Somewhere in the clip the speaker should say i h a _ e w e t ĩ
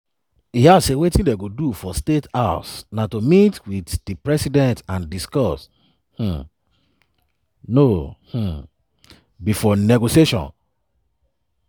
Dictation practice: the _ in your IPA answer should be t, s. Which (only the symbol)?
s